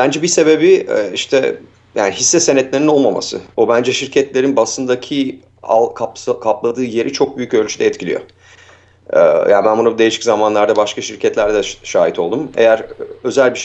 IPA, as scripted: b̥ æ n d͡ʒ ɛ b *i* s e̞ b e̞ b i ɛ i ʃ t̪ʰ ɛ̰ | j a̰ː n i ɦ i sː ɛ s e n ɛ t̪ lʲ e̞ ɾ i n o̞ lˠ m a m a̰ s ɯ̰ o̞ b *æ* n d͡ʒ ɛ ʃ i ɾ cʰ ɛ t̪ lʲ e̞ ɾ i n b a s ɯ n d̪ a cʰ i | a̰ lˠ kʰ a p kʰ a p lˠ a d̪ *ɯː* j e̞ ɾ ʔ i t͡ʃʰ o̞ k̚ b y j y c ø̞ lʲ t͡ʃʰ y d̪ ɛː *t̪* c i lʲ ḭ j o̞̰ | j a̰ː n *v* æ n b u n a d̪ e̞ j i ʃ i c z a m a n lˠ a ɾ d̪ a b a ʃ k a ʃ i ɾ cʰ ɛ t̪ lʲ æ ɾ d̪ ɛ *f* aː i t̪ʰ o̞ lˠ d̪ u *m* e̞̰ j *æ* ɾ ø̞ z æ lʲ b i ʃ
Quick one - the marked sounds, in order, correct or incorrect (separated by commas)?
correct, correct, correct, correct, incorrect, incorrect, correct, correct